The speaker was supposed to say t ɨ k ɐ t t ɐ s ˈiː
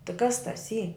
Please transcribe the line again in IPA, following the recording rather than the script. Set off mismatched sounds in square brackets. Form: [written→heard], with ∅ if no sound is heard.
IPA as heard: t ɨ k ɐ [t→s] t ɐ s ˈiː